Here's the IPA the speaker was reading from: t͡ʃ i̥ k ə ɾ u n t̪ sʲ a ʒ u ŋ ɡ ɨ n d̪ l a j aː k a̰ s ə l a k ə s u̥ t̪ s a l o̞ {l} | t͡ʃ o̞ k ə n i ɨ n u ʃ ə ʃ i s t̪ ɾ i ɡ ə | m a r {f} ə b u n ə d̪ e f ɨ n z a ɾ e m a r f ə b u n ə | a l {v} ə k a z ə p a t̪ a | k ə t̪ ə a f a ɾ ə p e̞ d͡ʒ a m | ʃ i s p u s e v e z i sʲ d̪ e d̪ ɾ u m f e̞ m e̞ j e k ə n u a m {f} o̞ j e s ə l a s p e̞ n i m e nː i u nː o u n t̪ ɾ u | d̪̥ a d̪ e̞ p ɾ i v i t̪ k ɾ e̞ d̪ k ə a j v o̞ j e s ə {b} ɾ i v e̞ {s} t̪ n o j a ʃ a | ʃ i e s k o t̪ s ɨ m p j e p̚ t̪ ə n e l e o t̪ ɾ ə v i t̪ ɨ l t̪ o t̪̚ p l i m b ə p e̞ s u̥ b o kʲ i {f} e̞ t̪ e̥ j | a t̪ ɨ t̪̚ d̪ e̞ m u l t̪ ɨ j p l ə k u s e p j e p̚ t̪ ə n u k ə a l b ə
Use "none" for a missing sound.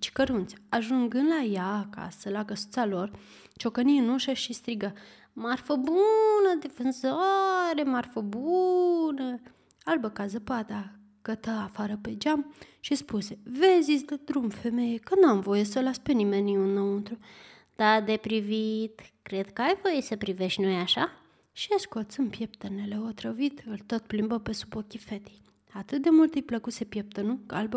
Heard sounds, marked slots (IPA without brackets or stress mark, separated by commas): r, f, b, v, p, ʃ, f